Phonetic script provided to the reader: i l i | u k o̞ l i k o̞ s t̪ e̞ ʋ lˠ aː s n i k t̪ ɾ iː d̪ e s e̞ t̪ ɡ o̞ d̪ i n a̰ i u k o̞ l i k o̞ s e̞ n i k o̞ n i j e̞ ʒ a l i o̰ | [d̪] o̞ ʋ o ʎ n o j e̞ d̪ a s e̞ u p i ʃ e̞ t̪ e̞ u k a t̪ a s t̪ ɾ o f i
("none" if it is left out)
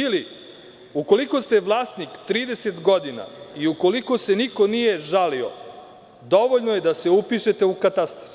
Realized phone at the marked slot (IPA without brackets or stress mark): d̪